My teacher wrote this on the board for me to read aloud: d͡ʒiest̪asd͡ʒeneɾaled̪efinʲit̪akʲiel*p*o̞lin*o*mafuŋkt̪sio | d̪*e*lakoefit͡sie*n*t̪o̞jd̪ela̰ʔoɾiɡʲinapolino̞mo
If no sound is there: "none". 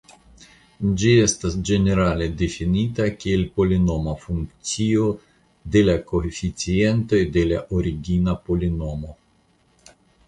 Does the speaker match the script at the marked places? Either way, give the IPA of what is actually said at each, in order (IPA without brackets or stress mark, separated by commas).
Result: p, o, e, n